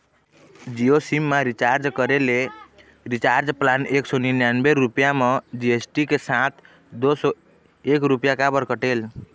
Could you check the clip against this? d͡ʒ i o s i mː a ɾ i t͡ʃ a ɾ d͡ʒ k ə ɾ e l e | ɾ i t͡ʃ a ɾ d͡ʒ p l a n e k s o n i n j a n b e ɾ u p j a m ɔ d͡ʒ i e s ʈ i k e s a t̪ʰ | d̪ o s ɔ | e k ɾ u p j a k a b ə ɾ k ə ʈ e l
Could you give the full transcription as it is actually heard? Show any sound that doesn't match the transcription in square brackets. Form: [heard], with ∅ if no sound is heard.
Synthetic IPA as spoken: d͡ʒ i o s i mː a ɾ i t͡ʃ a ɾ d͡ʒ k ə ɾ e l e | ɾ i t͡ʃ a ɾ d͡ʒ p l a n e k s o n i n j a n b e ɾ u p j a m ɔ d͡ʒ i e s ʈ i k e s a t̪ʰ | d̪ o s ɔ | e k ɾ u p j a k a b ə ɾ k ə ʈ e l